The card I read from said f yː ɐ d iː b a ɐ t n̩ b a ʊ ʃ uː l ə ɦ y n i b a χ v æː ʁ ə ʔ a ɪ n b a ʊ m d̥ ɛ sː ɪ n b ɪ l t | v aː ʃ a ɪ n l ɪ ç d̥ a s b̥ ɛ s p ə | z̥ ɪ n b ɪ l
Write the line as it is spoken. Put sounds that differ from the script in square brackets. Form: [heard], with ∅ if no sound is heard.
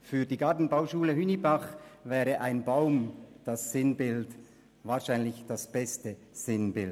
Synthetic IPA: f yː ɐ d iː [ɡ] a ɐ t n̩ b a ʊ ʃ uː l ə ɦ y n i b a χ v [ɛː] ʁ ə ʔ a ɪ n b a ʊ m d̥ [a] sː ɪ n b ɪ l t | v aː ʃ a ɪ n l ɪ ç d̥ a s b̥ ɛ s [t] ə | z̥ ɪ n b ɪ l